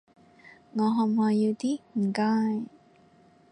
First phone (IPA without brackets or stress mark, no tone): ŋ